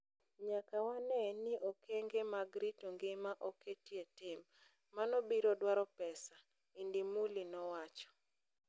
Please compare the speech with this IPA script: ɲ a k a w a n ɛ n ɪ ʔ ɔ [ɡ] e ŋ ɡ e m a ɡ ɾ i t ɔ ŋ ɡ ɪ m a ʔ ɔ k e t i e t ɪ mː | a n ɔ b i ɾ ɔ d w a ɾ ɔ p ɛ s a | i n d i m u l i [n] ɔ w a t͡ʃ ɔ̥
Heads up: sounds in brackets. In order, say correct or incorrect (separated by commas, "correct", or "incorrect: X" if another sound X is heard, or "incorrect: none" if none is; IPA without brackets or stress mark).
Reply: incorrect: k, correct